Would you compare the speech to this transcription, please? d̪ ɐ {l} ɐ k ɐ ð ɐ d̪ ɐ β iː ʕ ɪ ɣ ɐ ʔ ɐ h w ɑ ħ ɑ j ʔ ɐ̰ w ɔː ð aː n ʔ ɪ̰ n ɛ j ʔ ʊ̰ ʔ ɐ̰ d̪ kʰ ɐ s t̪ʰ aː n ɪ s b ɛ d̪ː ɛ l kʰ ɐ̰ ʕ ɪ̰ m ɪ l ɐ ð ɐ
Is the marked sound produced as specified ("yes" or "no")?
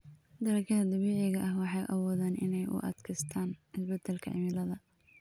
no